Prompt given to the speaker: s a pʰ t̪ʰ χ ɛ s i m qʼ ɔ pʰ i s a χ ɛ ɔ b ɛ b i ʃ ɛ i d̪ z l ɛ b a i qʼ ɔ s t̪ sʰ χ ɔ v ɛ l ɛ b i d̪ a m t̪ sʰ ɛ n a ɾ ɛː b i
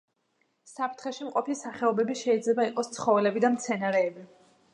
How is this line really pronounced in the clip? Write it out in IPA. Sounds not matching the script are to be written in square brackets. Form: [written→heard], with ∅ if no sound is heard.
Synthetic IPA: s a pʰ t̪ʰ χ ɛ [s→ʃ] i m qʼ ɔ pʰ i s a χ ɛ ɔ b ɛ b i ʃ ɛ i d̪ z l ɛ b a i qʼ ɔ s t̪ sʰ χ ɔ v ɛ l ɛ b i d̪ a m t̪ sʰ ɛ n a ɾ ɛː b i